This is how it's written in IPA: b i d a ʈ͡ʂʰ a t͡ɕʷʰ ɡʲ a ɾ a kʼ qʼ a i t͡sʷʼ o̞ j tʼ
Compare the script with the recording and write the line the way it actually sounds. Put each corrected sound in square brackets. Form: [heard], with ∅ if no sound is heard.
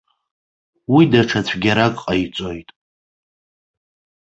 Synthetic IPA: [w] i d a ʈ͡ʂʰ a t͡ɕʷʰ ɡʲ a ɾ a kʼ qʼ a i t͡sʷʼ o̞ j tʼ